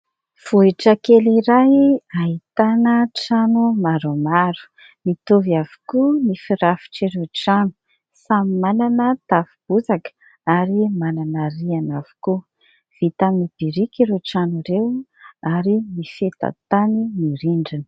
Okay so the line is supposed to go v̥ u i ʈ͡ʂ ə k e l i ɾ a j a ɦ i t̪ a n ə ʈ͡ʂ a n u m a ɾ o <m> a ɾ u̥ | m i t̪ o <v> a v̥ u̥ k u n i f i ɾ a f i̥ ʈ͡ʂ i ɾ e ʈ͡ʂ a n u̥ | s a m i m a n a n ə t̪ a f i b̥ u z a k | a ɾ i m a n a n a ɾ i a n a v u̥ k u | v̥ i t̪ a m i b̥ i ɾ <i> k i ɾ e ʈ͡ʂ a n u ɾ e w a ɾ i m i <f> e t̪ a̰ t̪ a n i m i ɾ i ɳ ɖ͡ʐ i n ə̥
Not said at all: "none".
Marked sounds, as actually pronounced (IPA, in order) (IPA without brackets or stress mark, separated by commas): m, v, i, f